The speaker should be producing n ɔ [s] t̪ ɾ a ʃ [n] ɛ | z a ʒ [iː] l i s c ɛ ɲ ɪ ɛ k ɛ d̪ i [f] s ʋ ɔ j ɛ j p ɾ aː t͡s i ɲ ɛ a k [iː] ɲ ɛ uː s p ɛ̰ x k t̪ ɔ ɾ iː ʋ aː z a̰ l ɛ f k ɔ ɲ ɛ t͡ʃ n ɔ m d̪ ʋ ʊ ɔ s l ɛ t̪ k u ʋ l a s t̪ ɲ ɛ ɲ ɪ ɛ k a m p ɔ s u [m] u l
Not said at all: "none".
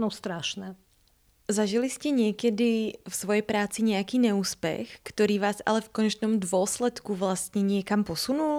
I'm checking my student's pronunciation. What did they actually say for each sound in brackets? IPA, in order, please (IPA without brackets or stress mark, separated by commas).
s, n, i, f, iː, n